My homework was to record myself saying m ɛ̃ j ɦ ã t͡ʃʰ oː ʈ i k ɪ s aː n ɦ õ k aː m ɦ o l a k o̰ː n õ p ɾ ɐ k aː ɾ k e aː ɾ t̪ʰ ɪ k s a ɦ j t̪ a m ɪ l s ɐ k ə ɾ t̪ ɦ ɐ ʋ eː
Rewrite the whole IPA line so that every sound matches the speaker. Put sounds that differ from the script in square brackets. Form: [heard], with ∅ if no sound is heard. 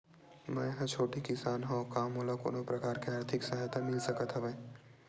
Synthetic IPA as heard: m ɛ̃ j ɦ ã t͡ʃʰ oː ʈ i k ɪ s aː n ɦ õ k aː m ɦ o l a k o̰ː n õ p ɾ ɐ k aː ɾ k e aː ɾ t̪ʰ ɪ k s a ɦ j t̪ a m ɪ l s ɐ k ə [∅] t̪ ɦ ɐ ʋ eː